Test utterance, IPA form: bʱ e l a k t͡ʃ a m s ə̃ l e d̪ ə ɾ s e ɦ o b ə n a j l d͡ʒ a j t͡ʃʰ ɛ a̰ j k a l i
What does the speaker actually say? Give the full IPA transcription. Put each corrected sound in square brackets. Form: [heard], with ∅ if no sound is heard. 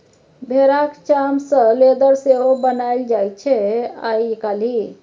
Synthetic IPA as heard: bʱ e [ɾ] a k t͡ʃ a m s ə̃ l e d̪ ə ɾ s e ɦ o b ə n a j l d͡ʒ a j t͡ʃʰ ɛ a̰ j k a l i